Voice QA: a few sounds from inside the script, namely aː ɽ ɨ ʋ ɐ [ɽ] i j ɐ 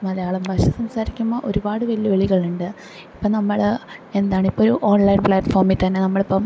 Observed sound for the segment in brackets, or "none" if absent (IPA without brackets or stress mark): l